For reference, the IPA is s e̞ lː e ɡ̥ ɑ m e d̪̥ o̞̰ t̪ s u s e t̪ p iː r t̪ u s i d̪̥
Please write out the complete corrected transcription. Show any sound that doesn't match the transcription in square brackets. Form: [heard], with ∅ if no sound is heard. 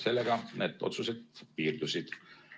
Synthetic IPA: s e̞ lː e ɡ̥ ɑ [n] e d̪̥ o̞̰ t̪ s u s e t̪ p iː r [d̪] u s i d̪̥